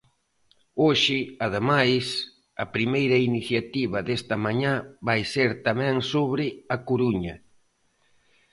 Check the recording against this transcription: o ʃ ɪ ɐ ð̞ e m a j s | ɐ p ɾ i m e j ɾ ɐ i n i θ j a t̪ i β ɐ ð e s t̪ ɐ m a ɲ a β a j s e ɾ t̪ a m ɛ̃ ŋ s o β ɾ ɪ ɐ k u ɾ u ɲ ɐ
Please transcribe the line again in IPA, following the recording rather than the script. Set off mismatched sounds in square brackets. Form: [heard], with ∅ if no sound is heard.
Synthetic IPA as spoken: o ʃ ɪ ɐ ð̞ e m a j s | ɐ p ɾ i m e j ɾ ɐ i n i θ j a t̪ i β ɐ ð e s t̪ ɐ m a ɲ a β a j s e ɾ t̪ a m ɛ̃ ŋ s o β ɾ ɪ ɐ k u ɾ u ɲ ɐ